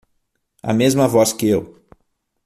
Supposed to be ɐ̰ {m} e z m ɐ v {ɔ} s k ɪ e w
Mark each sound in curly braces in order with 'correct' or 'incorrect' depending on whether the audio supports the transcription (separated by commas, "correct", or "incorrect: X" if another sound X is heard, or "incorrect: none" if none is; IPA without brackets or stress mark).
correct, correct